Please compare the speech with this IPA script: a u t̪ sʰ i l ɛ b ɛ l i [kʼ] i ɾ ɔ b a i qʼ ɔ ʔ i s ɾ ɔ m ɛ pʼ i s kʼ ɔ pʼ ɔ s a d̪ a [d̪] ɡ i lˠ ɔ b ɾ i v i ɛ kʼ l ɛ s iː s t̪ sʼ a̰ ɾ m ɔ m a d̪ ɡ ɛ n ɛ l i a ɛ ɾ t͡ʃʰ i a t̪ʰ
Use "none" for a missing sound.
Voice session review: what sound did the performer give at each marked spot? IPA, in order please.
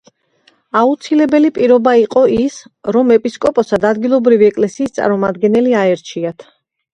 pʼ, d̪

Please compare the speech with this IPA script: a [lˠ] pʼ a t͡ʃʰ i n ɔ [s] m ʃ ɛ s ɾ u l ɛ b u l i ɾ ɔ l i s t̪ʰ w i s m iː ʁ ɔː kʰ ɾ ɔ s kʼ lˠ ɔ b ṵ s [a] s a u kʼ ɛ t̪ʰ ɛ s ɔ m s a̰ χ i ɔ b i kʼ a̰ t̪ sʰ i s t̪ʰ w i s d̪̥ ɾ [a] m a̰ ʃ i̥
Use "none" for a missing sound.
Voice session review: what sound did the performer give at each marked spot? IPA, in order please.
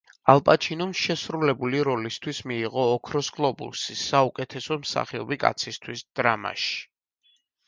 lˠ, none, i, a

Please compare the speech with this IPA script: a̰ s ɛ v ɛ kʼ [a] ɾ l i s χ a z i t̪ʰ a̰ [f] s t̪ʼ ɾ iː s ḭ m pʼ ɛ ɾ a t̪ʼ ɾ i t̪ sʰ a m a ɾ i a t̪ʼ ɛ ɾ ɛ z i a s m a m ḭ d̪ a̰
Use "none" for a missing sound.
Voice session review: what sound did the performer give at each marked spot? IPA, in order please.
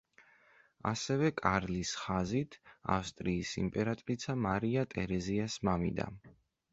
a, f

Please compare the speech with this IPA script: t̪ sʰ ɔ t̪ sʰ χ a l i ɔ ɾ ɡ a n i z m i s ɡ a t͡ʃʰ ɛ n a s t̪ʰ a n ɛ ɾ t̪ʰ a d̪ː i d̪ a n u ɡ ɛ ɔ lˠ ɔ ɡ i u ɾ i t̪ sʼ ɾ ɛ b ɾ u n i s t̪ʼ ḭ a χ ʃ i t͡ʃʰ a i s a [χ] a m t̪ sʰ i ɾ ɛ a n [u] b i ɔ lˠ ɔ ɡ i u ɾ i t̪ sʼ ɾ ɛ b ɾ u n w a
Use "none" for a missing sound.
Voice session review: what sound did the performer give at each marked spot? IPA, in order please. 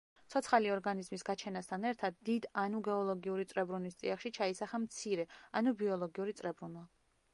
χ, u

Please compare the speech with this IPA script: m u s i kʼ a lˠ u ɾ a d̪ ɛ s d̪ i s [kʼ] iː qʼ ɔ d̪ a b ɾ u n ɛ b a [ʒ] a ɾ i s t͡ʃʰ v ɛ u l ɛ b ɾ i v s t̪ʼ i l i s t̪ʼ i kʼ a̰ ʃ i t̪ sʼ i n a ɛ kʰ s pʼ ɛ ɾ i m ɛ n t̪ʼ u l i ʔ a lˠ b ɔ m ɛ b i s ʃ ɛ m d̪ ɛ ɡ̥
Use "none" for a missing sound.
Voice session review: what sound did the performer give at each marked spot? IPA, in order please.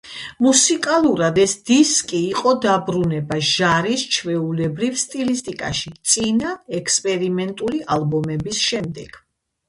kʼ, ʒ

